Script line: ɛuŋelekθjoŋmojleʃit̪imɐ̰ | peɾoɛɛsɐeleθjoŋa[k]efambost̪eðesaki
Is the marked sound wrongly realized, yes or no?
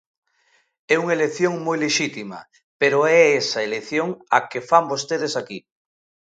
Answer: no